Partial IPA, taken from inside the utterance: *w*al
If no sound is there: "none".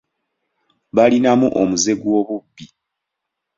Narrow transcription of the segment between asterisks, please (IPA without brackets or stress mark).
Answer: β